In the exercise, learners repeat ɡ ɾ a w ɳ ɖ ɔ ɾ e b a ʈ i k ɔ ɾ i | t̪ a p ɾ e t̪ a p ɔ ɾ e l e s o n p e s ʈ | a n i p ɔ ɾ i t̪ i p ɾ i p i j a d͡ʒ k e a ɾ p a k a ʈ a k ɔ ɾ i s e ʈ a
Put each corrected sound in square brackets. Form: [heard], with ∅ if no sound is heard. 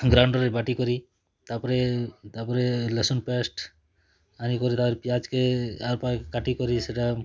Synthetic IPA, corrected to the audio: ɡ ɾ a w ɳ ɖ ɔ ɾ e b a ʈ i k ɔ ɾ i | t̪ a p ɾ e t̪ a p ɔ ɾ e l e s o n p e s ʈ | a n i [k] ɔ ɾ i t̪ [a] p ɾ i p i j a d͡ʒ k e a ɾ p a k a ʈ [i] k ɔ ɾ i s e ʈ a